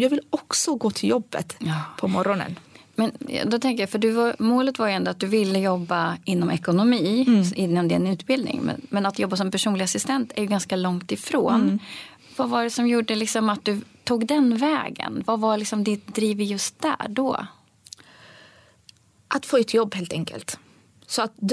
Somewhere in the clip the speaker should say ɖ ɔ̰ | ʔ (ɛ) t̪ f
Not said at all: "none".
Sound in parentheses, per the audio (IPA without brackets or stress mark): a